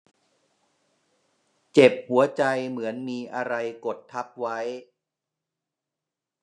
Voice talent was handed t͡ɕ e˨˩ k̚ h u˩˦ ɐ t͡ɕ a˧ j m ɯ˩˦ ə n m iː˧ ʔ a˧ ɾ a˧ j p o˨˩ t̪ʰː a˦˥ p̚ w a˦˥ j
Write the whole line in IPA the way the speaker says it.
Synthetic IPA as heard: t͡ɕ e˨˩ p̚ h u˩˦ ɐ t͡ɕ a˧ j m ɯ˩˦ ə n m iː˧ ʔ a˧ ɾ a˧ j k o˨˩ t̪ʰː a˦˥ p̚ w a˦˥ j